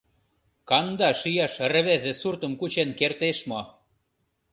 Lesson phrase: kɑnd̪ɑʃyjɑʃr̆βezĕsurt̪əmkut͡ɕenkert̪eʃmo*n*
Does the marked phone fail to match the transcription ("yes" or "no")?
yes